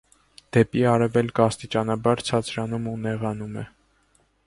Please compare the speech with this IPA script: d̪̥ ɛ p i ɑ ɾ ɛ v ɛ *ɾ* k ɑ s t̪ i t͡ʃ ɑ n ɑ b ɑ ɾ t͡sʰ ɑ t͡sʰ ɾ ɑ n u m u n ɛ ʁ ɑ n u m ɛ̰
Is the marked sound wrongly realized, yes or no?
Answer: yes